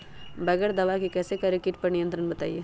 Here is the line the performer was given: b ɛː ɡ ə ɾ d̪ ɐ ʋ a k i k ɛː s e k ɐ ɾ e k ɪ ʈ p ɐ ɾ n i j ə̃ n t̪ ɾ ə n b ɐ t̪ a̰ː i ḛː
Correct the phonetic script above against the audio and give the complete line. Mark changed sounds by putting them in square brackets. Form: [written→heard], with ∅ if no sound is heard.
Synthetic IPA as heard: b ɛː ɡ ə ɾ d̪ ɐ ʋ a k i k ɛː s e k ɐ ɾ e k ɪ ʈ p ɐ ɾ n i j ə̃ n t̪ ɾ ə n b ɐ t̪ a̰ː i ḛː